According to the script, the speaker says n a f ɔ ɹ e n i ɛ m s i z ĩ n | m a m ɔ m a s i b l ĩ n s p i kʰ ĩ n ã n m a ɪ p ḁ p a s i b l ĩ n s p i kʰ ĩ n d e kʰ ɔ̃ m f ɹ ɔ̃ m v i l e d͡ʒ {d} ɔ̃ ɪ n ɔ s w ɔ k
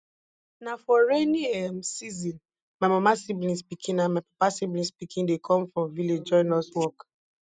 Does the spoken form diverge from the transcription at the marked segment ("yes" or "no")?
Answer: yes